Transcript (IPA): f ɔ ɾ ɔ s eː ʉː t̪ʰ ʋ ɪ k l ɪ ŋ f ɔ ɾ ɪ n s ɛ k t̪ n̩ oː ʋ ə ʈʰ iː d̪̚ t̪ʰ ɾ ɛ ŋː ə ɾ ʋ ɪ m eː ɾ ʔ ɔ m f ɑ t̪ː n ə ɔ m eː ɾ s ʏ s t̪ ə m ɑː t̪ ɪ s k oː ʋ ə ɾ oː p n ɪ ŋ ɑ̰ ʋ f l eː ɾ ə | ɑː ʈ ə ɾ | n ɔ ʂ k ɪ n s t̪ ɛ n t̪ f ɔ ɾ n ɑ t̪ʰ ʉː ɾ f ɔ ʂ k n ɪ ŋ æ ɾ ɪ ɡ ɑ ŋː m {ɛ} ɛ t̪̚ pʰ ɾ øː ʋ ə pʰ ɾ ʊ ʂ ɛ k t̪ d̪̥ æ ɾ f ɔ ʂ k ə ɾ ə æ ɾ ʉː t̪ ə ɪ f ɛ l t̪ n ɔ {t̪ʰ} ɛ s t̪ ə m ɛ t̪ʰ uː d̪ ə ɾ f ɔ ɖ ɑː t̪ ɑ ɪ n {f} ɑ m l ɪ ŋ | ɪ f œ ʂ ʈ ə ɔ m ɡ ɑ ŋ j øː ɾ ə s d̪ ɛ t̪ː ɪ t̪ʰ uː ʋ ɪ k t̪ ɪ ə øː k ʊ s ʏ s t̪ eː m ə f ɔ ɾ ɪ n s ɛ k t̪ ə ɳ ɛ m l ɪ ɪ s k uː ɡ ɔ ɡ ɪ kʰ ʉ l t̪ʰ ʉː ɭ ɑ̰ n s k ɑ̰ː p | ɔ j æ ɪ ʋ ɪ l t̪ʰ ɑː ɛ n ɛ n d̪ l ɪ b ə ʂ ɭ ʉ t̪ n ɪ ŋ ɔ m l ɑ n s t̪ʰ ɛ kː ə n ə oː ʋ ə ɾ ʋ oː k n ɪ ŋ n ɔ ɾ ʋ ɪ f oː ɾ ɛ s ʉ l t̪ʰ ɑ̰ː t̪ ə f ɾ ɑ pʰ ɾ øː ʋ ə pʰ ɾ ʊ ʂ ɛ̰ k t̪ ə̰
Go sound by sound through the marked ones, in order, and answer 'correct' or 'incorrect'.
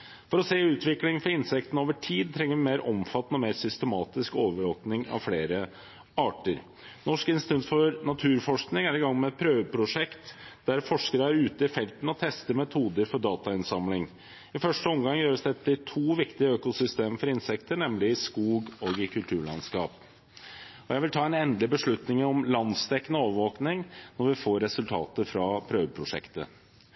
correct, correct, incorrect

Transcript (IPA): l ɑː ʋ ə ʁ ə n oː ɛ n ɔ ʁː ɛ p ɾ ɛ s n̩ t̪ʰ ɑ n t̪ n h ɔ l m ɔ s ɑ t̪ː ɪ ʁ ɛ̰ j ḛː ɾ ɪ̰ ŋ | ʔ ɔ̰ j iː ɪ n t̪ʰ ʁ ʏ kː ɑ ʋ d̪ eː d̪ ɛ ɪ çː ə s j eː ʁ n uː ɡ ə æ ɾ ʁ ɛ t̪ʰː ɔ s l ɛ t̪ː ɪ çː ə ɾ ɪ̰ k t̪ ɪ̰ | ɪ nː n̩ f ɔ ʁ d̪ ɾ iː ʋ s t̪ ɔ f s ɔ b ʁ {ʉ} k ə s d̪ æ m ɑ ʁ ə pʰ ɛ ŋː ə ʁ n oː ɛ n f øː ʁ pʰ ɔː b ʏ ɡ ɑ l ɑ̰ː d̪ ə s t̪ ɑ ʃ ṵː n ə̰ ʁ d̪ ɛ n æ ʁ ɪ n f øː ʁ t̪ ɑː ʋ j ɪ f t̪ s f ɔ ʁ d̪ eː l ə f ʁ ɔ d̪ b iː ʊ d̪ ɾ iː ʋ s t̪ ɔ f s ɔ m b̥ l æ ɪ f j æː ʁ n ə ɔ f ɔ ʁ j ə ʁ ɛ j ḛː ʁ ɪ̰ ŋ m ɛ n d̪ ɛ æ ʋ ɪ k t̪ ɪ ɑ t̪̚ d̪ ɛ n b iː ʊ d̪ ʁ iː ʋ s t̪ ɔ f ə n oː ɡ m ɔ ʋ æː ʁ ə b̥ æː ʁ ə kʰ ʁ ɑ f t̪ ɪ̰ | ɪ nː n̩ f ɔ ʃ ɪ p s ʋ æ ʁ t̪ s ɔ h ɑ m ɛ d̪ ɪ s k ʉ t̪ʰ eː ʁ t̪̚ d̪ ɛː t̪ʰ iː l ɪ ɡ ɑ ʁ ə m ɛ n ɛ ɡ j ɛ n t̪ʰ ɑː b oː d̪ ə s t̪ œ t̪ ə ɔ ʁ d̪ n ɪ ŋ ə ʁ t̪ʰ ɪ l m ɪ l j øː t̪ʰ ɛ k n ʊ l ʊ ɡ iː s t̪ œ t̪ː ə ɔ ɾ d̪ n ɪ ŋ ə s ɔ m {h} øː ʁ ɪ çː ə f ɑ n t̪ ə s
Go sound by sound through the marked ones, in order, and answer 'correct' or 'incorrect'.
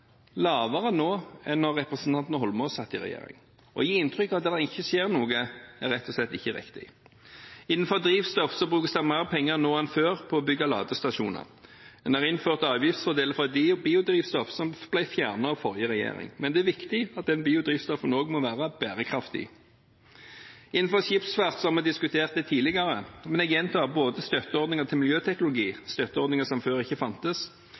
incorrect, incorrect

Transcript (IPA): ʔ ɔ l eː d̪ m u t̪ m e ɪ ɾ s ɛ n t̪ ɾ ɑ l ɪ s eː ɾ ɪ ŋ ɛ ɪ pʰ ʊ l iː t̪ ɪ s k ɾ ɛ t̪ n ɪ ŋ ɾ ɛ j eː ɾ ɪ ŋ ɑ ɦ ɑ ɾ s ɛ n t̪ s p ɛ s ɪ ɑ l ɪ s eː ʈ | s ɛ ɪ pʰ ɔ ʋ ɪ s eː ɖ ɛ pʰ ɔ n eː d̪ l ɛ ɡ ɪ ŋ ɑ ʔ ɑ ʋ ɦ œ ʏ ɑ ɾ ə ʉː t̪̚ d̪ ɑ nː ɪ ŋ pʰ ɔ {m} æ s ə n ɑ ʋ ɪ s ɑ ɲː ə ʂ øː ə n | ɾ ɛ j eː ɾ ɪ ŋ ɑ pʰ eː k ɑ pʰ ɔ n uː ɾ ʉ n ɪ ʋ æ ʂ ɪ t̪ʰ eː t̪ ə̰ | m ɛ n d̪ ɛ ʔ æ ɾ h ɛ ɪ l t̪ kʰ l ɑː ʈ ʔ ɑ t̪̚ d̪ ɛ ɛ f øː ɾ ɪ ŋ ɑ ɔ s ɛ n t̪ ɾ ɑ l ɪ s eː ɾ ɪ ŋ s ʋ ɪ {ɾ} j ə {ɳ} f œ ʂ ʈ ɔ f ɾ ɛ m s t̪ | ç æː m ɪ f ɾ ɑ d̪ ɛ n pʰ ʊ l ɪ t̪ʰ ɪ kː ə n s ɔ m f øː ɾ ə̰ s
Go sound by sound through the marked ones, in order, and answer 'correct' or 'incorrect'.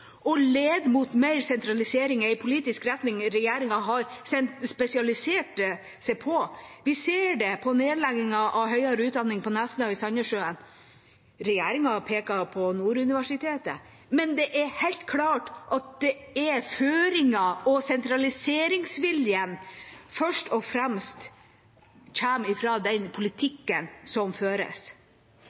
incorrect, incorrect, incorrect

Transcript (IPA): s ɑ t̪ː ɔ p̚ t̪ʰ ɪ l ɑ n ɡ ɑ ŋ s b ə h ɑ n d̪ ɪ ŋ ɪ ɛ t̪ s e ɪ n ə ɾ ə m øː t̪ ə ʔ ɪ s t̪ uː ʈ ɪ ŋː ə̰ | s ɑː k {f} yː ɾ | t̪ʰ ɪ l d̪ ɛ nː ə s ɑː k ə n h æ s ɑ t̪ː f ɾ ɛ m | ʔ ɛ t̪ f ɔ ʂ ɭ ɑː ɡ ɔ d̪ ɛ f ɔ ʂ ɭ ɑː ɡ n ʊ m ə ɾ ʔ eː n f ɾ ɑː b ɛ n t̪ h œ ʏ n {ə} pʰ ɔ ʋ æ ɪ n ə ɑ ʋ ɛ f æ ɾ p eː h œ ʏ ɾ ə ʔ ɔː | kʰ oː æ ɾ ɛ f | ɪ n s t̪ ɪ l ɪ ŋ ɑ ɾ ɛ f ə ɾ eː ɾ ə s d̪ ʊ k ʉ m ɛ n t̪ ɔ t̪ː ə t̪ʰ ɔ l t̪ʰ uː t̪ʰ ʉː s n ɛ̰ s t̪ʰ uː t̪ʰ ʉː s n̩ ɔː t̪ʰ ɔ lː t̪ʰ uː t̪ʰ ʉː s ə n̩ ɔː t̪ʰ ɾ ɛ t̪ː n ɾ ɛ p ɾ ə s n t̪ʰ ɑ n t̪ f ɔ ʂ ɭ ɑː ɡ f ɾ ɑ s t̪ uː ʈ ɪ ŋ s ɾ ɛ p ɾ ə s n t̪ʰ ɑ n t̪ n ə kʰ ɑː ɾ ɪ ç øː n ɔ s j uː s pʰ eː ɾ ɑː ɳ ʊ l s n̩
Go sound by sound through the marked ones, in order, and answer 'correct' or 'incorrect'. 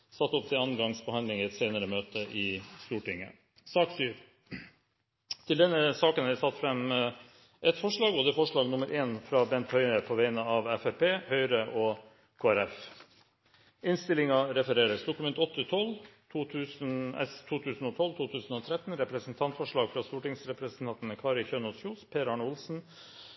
incorrect, correct

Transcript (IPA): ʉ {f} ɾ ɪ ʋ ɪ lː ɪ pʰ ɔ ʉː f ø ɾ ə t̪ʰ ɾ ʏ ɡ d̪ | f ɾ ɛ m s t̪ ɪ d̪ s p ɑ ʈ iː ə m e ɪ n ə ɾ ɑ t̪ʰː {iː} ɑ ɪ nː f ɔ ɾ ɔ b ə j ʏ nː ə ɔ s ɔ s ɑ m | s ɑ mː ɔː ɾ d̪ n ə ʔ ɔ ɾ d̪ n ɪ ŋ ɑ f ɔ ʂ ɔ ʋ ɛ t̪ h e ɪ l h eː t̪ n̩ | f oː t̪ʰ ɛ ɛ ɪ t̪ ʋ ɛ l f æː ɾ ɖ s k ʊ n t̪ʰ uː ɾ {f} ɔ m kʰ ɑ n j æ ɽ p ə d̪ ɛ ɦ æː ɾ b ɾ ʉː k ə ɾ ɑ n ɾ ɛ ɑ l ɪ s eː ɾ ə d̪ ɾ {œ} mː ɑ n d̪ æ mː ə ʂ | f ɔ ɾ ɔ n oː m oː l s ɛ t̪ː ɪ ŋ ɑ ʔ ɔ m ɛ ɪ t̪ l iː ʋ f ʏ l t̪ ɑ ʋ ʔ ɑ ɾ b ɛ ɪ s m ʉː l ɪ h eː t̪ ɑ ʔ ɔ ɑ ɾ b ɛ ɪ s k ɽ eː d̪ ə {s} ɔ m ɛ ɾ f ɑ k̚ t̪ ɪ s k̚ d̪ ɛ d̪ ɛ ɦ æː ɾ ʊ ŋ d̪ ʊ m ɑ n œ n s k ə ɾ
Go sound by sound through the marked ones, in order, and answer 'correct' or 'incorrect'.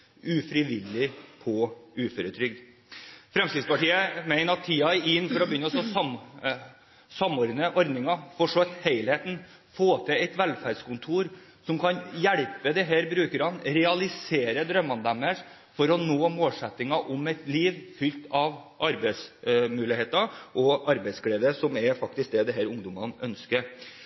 correct, correct, incorrect, correct, correct

